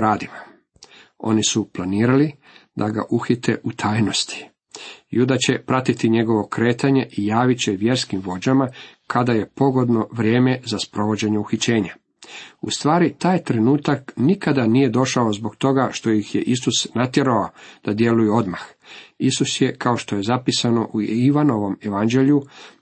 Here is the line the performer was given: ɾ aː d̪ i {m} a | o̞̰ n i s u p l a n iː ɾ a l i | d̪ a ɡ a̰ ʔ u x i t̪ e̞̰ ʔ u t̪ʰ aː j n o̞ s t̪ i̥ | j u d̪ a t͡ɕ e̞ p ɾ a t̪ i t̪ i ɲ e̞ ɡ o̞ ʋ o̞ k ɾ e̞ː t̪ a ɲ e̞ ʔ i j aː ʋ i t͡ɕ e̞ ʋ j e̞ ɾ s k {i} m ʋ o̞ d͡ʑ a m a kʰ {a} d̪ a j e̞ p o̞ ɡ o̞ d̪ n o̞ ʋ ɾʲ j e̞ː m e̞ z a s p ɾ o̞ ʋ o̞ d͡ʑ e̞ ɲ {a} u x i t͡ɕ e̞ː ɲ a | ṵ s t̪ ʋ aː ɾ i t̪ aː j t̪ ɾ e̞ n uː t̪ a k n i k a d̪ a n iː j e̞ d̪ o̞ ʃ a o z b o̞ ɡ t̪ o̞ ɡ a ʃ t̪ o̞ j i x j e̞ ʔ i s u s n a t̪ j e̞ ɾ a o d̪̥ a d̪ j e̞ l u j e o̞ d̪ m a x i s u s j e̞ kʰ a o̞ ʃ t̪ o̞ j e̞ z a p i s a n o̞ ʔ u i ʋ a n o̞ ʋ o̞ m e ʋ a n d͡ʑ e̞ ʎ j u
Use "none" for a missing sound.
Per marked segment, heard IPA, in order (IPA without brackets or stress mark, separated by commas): m, i, a, e